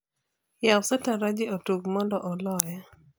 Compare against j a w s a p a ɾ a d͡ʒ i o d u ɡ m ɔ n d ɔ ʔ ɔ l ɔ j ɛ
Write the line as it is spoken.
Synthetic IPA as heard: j a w s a t a ɾ a d͡ʒ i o t u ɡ m ɔ n d ɔ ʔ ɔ l ɔ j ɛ